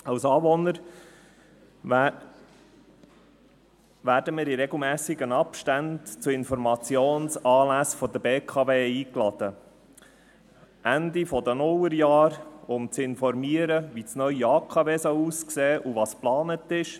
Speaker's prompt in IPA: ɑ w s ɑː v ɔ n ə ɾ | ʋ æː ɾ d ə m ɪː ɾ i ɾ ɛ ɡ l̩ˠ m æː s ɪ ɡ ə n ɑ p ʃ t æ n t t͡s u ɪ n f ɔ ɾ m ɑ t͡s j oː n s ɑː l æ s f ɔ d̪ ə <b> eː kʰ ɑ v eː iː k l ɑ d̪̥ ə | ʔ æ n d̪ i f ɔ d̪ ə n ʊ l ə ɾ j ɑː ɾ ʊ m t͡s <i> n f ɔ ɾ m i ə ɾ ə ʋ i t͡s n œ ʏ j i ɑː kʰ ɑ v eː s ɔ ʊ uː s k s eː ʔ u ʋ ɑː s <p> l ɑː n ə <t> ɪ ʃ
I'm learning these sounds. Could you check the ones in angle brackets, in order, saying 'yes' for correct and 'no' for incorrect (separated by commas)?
yes, no, yes, yes